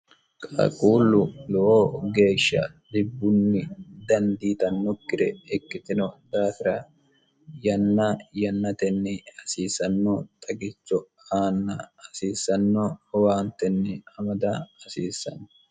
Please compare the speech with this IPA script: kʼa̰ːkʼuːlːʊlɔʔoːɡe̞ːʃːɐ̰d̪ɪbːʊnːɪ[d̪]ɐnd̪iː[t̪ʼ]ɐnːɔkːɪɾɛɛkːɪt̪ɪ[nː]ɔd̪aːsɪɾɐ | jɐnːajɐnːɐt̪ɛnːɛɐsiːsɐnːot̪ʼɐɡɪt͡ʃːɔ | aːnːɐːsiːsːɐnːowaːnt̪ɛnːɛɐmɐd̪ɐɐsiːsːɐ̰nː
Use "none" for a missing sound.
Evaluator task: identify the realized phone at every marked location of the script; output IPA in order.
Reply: d̪, t̪, n

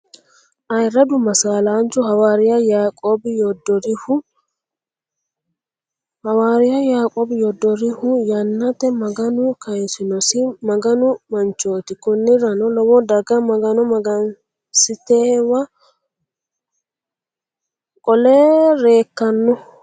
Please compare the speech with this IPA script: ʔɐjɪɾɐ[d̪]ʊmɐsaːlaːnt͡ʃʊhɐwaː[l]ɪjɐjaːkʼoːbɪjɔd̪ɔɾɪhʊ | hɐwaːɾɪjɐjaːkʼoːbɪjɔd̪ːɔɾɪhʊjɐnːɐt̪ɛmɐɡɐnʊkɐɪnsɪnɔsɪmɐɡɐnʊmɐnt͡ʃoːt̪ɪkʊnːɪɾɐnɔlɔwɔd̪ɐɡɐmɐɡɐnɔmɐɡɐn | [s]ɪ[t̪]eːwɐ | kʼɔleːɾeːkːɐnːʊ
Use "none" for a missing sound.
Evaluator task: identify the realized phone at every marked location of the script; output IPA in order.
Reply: d̪, ɾ, s, t̪

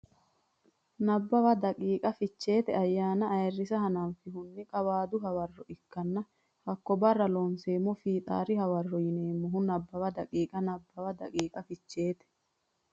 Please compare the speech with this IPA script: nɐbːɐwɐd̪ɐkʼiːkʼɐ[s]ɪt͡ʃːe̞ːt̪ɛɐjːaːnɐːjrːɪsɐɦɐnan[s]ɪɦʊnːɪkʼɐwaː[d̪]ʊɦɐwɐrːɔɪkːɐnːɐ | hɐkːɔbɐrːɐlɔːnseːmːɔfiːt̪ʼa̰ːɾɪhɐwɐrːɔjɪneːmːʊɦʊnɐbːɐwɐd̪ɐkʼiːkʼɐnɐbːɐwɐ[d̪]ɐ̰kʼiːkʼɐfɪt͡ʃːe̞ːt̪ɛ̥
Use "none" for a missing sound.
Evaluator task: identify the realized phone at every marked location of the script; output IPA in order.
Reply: f, f, d̪, d̪

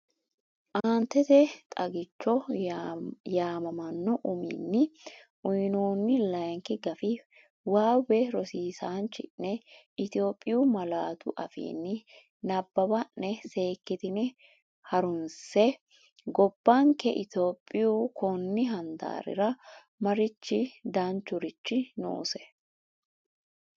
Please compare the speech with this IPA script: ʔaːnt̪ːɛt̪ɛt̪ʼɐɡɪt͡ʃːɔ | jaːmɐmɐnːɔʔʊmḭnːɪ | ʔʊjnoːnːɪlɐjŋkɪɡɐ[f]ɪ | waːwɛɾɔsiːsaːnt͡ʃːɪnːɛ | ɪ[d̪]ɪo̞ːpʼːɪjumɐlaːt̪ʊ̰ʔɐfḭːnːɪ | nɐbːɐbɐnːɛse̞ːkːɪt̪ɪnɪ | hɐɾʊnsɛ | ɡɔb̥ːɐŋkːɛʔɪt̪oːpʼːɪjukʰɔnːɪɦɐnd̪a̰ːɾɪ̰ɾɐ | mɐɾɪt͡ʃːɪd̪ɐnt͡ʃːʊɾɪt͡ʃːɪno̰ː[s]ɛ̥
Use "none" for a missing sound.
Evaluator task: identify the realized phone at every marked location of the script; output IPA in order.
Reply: f, t̪, s

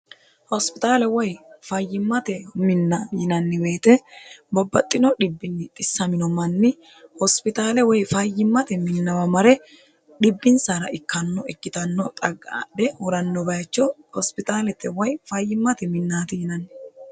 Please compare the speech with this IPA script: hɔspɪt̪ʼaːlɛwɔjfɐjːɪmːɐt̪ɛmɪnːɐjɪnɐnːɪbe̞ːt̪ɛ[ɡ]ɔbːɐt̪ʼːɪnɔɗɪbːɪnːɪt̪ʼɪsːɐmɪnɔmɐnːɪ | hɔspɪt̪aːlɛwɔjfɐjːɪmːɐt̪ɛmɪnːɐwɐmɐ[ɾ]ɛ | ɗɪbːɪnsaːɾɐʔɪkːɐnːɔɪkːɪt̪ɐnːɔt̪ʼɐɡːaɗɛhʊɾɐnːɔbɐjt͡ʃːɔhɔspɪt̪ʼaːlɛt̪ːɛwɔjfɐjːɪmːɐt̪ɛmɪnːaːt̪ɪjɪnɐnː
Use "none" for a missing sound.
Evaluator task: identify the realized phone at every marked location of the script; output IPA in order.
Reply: b, ɾ

